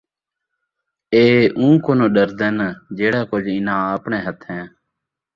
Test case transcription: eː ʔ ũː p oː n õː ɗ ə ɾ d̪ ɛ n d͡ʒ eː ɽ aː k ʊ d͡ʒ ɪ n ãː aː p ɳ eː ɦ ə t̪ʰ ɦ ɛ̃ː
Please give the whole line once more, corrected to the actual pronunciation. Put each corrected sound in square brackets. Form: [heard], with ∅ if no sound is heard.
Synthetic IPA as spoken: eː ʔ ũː [k] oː n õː ɗ ə ɾ d̪ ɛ n d͡ʒ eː ɽ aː k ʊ d͡ʒ ɪ n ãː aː p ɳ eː ɦ ə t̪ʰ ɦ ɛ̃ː